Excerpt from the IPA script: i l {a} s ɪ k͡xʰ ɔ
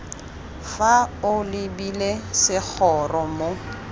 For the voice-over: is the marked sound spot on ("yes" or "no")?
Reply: no